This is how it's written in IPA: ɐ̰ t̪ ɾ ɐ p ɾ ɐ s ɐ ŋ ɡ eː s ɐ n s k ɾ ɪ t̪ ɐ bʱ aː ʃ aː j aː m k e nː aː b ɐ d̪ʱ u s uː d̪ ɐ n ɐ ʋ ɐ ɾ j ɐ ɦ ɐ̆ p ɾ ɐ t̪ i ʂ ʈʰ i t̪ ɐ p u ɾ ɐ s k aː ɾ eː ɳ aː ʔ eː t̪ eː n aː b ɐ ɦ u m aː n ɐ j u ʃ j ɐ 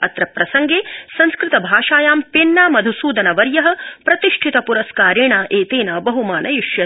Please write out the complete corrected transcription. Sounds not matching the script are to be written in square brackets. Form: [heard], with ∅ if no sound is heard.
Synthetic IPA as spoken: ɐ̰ t̪ ɾ ɐ p ɾ ɐ s ɐ ŋ ɡ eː s ɐ n s k ɾ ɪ t̪ ɐ bʱ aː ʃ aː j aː m [p] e nː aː [m] ɐ d̪ʱ u s uː d̪ ɐ n ɐ ʋ ɐ ɾ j ɐ ɦ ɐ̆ p ɾ ɐ t̪ i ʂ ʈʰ i t̪ ɐ p u ɾ ɐ s k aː ɾ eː ɳ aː ʔ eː t̪ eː n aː b ɐ ɦ u m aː n ɐ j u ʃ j ɐ